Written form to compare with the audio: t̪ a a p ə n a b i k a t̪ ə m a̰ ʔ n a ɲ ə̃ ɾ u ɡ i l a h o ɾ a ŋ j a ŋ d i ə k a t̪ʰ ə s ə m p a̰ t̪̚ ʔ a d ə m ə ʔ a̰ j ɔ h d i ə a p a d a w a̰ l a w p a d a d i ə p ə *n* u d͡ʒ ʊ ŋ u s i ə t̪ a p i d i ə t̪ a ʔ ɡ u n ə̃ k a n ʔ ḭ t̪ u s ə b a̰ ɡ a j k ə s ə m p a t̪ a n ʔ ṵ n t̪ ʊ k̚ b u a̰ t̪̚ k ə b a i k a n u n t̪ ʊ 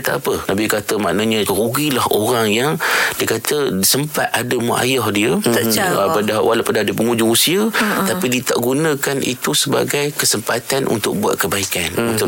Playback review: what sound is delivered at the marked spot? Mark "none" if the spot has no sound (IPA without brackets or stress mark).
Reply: ŋ